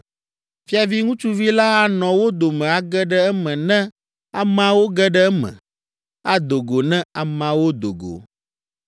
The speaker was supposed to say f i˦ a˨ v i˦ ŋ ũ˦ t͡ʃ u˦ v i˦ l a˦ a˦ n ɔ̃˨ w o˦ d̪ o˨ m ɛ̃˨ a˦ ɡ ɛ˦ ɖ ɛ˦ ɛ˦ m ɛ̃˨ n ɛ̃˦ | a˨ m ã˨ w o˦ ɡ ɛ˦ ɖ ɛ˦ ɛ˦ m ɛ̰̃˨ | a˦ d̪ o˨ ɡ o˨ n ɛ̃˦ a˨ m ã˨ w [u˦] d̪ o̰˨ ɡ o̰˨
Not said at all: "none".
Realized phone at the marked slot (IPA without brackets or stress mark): o˦